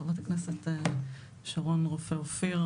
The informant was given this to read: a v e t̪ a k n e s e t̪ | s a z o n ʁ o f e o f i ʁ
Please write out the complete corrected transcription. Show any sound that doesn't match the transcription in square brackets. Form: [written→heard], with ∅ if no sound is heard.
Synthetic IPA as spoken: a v [e→a] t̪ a k n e s e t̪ | [s→ʃ] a [z→ʁ] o n ʁ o f e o f i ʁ